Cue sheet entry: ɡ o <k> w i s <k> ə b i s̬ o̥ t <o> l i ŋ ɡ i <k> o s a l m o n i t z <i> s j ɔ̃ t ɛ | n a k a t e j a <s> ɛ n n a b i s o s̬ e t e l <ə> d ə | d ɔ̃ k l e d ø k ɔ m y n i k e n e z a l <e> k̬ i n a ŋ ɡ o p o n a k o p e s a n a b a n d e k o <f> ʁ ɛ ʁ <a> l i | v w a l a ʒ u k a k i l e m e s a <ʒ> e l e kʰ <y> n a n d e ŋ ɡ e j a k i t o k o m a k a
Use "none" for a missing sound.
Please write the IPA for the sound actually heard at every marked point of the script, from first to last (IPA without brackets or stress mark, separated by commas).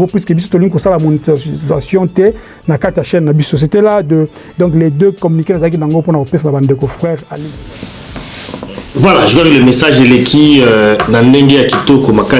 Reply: p, k, o, k, a, ʃ, a, a, f, a, ʒ, i